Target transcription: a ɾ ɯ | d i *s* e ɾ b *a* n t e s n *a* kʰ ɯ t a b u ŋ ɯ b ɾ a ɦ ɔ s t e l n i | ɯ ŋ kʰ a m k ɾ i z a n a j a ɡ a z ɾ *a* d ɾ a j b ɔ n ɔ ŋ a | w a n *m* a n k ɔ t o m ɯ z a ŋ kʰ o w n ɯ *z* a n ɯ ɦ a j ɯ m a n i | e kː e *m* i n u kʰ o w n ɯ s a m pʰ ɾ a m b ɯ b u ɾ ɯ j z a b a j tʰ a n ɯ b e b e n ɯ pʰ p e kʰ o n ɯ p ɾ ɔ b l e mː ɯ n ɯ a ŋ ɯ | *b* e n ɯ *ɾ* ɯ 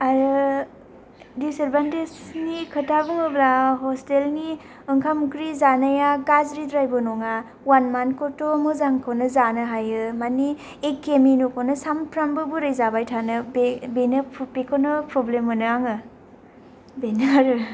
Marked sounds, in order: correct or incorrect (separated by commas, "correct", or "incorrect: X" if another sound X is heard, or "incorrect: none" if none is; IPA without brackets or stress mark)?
correct, correct, incorrect: i, incorrect: i, correct, correct, correct, correct, correct